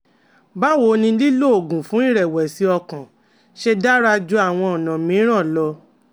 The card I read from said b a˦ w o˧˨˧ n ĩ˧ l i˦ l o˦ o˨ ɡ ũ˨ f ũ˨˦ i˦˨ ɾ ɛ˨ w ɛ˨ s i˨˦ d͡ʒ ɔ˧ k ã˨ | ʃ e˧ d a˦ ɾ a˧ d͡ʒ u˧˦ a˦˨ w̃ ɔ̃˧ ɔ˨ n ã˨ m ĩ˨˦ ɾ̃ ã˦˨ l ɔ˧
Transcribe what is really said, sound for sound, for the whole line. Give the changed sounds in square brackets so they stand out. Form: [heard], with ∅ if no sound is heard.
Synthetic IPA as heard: b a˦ w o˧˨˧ n ĩ˧ l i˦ l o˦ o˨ ɡ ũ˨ f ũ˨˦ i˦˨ ɾ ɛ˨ w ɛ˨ s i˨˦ [∅] ɔ˧ k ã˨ | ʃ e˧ d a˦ ɾ a˧ d͡ʒ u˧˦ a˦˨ w̃ ɔ̃˧ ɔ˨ n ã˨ m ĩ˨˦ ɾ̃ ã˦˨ l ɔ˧